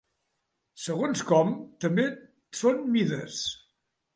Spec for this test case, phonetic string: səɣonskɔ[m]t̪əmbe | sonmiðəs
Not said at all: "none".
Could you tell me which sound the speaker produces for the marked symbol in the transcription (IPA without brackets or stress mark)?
m